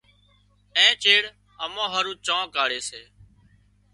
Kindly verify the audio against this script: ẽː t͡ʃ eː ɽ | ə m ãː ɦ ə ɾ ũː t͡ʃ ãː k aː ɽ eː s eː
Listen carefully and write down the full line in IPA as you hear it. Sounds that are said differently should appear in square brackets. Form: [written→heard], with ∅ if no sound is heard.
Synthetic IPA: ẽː t͡ʃ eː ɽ | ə m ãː ɦ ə ɾ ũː t͡ʃ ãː k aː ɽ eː s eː